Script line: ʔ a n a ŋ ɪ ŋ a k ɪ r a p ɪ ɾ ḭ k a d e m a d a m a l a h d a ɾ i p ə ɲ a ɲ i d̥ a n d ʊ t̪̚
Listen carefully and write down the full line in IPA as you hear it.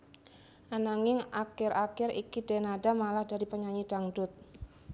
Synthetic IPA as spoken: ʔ a n a ŋ ɪ ŋ a k ɪ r a k ɪ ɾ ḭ k i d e n a d a m a l a h d a ɾ i p ə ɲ a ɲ i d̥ a ŋ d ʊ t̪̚